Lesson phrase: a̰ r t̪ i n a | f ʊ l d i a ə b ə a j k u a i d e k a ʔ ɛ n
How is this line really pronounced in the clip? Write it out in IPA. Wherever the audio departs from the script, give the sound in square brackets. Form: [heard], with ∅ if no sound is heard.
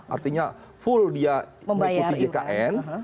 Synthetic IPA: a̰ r t̪ i [ɲ] a | f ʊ l d i a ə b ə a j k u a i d e k a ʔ ɛ n